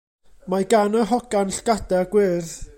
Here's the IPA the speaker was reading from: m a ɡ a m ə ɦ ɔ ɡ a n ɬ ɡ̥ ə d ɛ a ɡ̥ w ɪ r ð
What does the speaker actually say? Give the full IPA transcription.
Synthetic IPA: m a ɡ a n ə ɦ ɔ ɡ a n ɬ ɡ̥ a d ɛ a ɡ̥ w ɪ r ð

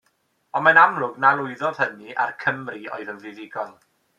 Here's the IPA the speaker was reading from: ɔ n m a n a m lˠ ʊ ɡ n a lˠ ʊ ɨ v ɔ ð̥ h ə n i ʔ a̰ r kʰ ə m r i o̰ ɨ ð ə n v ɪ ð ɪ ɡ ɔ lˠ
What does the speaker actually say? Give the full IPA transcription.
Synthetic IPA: ɔ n m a n a m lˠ ʊ ɡ n a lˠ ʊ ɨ ð ɔ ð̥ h ə n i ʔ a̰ r kʰ ə m r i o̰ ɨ ð ə n v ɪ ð ɪ ɡ ɔ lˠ

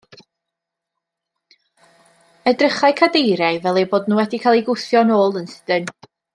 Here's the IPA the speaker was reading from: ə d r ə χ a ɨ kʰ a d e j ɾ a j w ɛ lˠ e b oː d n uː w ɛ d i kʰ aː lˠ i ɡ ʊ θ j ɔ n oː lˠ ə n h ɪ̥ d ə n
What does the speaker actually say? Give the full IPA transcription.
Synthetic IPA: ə d r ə χ a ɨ kʰ a d e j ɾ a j v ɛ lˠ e b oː d n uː w ɛ d i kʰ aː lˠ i ɡ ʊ θ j ɔ n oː lˠ ə n s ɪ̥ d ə n

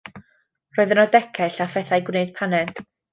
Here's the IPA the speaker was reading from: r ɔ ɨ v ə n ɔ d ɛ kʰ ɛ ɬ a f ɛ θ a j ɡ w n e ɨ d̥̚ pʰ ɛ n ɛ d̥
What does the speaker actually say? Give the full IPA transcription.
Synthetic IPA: r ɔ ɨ ð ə n ɔ d ɛ kʰ ɛ ɬ a f ɛ θ a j ɡ w n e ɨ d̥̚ pʰ a n ɛ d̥

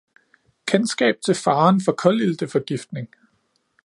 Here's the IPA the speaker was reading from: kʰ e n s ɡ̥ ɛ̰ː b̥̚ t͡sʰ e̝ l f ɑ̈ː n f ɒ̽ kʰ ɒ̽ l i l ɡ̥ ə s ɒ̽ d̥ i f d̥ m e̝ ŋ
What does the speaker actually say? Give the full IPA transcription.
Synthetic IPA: kʰ e n s ɡ̥ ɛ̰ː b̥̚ t͡sʰ e̝ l f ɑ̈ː n f ɒ̽ kʰ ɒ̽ l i l d̥ ə f ɒ̽ ɡ̥ i f d̥ n e̝ ŋ

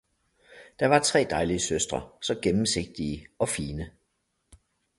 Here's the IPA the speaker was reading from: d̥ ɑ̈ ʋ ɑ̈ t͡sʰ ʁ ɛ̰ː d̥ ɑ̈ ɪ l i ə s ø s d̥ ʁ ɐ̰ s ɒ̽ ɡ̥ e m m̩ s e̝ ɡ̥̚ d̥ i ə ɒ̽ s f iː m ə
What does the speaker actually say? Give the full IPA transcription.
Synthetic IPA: d̥ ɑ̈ ʋ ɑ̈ t͡sʰ ʁ ɛ̰ː d̥ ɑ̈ ɪ l i ə s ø s d̥ ʁ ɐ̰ s ɒ̽ ɡ̥ e m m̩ s e̝ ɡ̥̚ d̥ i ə ɒ̽ f iː n ə

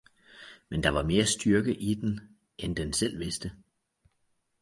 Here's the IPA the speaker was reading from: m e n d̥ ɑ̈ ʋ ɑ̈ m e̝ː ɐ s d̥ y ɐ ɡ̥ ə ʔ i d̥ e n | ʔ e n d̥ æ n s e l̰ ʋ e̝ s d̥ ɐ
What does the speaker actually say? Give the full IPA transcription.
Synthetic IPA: m e n d̥ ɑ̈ ʋ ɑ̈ m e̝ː ɐ s d̥ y ɐ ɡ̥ ə ʔ i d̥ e n | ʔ e n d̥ e n s e l̰ ʋ e̝ s d̥ ə

